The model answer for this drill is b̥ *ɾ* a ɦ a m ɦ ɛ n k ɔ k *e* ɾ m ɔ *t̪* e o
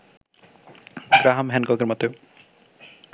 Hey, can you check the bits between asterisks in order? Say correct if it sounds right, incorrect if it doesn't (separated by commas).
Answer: correct, correct, correct